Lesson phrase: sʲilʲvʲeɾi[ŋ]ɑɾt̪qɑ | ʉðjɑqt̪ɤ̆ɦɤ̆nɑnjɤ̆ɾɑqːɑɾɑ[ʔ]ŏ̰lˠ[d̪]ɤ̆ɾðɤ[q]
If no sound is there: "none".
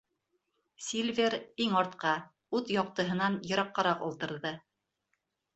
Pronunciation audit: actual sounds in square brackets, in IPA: ŋ, q, t̪, none

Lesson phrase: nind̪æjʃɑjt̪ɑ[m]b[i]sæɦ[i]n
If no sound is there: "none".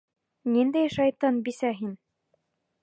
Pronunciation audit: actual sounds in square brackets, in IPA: n, i, i

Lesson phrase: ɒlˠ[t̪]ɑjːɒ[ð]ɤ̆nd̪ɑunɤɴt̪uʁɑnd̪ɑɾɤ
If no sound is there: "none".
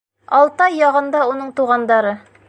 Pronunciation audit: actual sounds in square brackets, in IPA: t̪, ʁ

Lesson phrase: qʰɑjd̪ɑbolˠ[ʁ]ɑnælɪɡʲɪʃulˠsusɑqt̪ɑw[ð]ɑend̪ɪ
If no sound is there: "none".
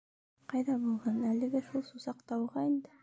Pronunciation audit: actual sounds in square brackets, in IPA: ʁ, ʁ

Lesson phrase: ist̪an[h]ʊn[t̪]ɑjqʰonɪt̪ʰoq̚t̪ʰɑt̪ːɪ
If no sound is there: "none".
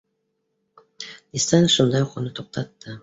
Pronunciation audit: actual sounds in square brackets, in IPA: ʃ, d̪

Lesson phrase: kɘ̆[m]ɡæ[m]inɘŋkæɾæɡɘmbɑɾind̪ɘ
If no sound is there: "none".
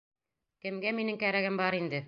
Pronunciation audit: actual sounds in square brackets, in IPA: m, m

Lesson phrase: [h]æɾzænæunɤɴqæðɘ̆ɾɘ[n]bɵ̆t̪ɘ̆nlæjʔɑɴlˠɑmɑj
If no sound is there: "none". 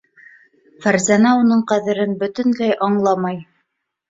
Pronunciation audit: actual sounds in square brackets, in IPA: f, n

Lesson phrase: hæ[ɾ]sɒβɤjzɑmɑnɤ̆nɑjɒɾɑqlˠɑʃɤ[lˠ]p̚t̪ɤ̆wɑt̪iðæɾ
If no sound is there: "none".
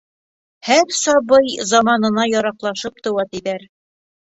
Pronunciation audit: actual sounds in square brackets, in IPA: ɾ, none

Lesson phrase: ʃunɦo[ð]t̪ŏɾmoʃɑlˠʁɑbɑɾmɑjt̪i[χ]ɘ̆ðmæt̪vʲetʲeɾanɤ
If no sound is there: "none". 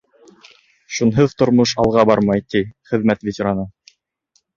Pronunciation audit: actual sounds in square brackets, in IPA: ð, χ

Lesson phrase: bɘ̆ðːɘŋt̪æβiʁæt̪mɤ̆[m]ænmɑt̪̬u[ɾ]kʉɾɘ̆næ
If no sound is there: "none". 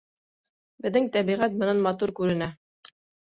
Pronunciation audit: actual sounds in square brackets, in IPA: n, ɾ

